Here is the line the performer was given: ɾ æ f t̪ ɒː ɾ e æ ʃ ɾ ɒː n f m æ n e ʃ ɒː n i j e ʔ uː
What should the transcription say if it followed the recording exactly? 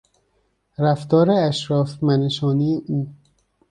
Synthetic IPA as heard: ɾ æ f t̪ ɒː ɾ e æ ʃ ɾ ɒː f m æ n e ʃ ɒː n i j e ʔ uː